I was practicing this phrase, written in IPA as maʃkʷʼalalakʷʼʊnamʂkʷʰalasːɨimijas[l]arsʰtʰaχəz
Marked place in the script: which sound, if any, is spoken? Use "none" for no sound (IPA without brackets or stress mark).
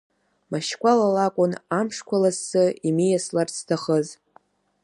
l